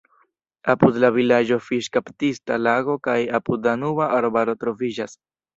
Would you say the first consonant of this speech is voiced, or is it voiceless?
voiceless